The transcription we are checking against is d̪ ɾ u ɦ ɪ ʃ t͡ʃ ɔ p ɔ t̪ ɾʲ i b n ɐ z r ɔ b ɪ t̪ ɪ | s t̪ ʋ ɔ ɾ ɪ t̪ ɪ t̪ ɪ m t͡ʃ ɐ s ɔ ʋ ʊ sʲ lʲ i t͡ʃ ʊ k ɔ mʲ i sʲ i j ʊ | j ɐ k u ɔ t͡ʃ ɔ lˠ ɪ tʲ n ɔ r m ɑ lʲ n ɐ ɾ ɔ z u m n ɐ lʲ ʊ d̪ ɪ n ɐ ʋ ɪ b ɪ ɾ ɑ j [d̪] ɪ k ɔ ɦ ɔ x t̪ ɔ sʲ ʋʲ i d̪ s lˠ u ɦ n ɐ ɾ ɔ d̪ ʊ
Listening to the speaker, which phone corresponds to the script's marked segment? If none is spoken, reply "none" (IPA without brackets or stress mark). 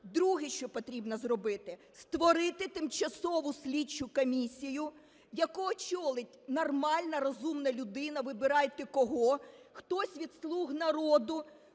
t̪